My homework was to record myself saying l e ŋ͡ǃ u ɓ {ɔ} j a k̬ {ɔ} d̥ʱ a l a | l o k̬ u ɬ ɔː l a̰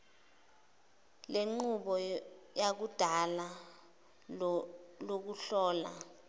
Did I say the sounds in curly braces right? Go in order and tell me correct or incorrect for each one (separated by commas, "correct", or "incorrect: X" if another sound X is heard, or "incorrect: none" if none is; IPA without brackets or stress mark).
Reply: correct, incorrect: u